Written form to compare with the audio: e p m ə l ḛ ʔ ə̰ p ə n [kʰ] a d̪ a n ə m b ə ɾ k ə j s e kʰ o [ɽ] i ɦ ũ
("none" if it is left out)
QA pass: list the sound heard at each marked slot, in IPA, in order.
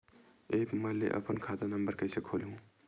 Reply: kʰ, l

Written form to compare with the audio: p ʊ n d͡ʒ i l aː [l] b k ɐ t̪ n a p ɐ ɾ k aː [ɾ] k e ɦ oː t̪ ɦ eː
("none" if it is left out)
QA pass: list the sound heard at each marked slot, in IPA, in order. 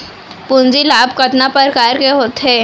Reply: none, ɾ

